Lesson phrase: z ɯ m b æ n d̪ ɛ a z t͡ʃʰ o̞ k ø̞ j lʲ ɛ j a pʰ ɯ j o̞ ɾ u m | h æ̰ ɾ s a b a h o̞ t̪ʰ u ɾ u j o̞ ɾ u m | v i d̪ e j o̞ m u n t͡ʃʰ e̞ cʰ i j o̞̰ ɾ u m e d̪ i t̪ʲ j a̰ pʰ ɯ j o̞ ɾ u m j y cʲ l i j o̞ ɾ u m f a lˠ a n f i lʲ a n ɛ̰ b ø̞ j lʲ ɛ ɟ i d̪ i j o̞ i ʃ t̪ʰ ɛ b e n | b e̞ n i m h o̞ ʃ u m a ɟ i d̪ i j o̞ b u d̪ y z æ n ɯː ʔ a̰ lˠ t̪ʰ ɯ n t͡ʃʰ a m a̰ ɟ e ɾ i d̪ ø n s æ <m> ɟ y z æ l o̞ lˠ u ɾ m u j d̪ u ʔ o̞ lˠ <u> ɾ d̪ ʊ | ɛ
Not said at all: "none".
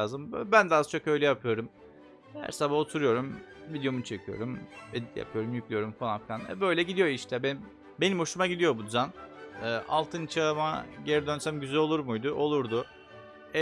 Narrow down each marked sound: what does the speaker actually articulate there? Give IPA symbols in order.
m, u

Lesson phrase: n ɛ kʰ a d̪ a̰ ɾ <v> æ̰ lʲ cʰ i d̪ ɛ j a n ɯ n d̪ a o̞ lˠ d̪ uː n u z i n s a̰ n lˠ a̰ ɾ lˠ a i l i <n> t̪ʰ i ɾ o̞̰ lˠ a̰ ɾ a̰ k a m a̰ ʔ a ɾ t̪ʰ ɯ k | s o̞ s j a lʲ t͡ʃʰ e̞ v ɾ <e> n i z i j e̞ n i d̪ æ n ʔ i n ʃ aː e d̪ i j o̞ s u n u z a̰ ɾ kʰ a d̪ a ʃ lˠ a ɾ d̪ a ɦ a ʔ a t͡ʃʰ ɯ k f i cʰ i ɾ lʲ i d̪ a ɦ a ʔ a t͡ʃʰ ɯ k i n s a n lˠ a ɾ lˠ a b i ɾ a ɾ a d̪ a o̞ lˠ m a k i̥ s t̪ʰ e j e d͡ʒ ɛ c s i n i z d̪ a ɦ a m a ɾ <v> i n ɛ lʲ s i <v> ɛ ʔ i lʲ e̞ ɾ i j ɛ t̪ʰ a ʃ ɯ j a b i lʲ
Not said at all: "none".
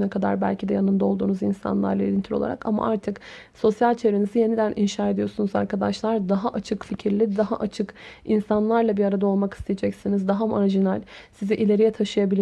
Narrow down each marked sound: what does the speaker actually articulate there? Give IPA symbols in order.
b, n, e, ʒ, z

